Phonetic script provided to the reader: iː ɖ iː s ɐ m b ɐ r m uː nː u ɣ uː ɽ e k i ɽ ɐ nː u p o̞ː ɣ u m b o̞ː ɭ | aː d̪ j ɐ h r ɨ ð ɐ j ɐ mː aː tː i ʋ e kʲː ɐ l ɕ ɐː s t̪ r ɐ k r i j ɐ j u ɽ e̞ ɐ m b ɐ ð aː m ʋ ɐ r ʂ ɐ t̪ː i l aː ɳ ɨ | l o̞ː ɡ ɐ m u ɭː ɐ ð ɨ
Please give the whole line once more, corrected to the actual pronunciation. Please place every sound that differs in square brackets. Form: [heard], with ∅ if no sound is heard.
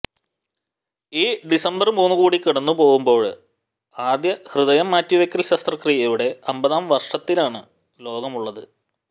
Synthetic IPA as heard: iː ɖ [i] s ɐ m b ɐ r m uː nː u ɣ uː ɽ [i] k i ɽ ɐ nː u p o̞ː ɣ u m b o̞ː ɭ | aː d̪ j ɐ h r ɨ ð ɐ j ɐ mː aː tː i ʋ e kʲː ɐ l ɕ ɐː s t̪ r ɐ k r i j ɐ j u ɽ e̞ ɐ m b ɐ ð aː m ʋ ɐ r ʂ ɐ t̪ː i l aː ɳ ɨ | l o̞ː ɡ ɐ m u ɭː ɐ ð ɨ